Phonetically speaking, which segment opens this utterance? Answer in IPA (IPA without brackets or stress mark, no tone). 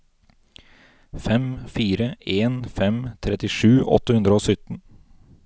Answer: f